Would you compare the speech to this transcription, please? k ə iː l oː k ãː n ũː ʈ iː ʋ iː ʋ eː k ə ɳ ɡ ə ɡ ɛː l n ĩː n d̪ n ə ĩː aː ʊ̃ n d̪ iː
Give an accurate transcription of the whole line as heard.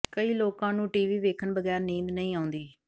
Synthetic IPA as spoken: k ə iː l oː k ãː n ũː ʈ iː ʋ iː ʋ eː kʰ ə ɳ b ə ɡ ɛː ɾ n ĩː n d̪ n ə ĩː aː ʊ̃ n d̪ iː